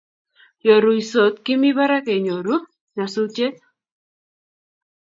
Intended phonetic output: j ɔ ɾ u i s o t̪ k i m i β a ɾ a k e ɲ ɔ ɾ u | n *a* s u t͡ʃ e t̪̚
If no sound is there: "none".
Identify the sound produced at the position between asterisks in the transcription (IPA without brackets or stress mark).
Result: a